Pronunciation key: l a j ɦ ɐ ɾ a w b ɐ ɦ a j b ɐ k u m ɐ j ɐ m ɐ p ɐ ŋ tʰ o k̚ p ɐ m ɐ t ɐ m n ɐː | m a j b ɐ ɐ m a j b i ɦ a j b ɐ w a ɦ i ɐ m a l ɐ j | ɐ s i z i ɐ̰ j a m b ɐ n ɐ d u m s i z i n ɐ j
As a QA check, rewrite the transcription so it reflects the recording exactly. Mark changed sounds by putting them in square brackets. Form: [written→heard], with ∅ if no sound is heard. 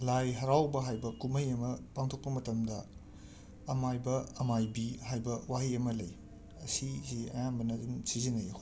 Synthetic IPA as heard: l a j ɦ ɐ ɾ a w b ɐ ɦ a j b ɐ k u m ɐ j ɐ m ɐ p [ɐ→a] ŋ tʰ o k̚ p ɐ m ɐ t ɐ m [n→d] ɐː | m a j b ɐ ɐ m a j b i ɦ a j b ɐ w a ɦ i ɐ m [a→ɐ] l ɐ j | ɐ s i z i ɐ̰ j a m b ɐ n ɐ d u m s i z i n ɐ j